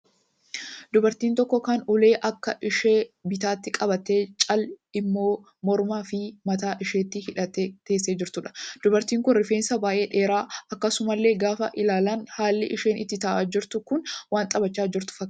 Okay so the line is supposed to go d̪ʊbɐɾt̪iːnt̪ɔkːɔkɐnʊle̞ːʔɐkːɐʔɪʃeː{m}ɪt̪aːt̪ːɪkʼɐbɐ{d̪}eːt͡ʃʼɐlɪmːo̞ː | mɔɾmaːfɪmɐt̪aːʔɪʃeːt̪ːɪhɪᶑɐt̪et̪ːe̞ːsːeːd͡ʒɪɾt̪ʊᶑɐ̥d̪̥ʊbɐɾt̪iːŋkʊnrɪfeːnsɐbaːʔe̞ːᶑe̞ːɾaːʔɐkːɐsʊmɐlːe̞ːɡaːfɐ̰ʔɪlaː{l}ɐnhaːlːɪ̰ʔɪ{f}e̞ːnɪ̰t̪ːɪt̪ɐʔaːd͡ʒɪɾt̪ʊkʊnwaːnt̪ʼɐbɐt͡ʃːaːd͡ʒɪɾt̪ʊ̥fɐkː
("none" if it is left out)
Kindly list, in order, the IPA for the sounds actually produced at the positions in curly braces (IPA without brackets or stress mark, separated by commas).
b, t̪, l, ʃ